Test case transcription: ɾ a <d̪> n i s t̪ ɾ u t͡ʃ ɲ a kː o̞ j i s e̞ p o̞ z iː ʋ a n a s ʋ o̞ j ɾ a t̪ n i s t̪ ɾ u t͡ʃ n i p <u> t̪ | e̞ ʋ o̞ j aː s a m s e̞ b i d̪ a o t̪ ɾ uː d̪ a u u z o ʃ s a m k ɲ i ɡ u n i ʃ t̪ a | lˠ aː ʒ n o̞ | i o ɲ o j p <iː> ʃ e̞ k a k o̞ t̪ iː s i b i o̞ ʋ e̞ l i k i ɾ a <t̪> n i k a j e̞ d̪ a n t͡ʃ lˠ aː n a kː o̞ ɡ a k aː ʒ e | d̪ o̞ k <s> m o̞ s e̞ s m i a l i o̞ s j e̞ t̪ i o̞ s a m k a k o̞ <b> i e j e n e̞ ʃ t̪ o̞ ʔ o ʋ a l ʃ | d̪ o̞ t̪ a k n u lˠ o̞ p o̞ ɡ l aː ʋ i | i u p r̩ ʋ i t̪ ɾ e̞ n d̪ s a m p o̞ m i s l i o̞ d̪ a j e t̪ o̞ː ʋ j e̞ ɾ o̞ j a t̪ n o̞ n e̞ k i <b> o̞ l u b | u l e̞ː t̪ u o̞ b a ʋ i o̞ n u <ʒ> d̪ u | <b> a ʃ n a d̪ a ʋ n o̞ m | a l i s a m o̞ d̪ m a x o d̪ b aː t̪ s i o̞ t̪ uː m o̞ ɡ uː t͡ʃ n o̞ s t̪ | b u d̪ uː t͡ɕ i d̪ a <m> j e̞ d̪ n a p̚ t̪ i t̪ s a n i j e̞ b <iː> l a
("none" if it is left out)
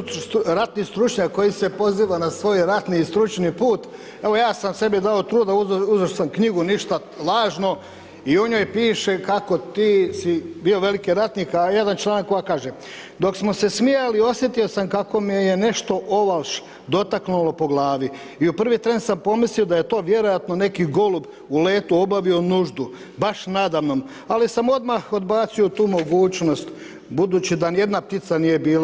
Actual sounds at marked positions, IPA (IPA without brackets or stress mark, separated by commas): t̪, uː, iː, t̪, s, m, ɡ, ʒ, b, n, iː